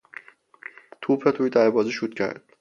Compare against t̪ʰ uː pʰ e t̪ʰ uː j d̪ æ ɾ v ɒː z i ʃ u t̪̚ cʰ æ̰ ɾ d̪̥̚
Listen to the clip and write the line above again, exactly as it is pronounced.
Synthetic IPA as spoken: t̪ʰ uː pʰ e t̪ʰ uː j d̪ æ ɾ b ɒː z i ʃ u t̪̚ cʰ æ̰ ɾ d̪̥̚